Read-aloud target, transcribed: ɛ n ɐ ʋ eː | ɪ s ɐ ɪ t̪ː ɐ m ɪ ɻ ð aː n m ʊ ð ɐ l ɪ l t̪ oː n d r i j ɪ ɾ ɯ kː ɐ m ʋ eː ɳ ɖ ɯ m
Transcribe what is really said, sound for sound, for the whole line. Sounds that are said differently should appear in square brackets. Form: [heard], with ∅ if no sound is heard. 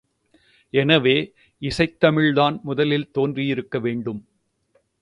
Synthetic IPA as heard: ɛ n ɐ ʋ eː | ɪ s ɐ ɪ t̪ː ɐ m ɪ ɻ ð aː n m ʊ ð ɐ l ɪ l t̪ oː n d r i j ɪ ɾ ɯ kː ɐ [∅] ʋ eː ɳ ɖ ɯ m